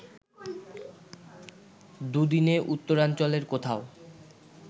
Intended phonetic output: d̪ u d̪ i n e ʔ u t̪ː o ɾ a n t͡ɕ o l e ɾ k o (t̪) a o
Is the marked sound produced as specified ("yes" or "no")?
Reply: no